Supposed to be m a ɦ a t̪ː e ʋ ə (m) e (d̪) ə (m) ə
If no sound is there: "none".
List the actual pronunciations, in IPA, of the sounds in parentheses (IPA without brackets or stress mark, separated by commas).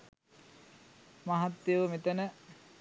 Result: m, t̪, n